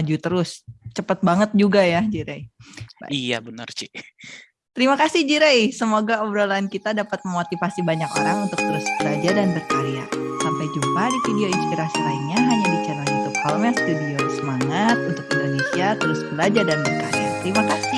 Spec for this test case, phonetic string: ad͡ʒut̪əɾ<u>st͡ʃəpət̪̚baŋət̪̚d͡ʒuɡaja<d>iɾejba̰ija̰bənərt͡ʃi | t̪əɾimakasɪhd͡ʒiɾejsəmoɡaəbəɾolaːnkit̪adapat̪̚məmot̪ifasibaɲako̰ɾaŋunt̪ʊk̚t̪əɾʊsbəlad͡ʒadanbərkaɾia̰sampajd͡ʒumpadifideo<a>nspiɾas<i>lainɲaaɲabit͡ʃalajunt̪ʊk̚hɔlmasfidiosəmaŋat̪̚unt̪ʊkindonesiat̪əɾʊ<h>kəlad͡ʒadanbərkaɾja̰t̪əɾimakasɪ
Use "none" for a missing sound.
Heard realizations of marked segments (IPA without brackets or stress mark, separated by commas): ʊ, d͡ʒ, i, i, s